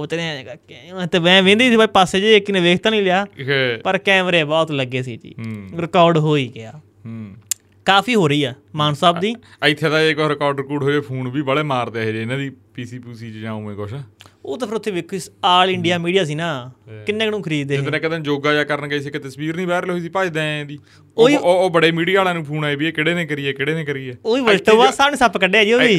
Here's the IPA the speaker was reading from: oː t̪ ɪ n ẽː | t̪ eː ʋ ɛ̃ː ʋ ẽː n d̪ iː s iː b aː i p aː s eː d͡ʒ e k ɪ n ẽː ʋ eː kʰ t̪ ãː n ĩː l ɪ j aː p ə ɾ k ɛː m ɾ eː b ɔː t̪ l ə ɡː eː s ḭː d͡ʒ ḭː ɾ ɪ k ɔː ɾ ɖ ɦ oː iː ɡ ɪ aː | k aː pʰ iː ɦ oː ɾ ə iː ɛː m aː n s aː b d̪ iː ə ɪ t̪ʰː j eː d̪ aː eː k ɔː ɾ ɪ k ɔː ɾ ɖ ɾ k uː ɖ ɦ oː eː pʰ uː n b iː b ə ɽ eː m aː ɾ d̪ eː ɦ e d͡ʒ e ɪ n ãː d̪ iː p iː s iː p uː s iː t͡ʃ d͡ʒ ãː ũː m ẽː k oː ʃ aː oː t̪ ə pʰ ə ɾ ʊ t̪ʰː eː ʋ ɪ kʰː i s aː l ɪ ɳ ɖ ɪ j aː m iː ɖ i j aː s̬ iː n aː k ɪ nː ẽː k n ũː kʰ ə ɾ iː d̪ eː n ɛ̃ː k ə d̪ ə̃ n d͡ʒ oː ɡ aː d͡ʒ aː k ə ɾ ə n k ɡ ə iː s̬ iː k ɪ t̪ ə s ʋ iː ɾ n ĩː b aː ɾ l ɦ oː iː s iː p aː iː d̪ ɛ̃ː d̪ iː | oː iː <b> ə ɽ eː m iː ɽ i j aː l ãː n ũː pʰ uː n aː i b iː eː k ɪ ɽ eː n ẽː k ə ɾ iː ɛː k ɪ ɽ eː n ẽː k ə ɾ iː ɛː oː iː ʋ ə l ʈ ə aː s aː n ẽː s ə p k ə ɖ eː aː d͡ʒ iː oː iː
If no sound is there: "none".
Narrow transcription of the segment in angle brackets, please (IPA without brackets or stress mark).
b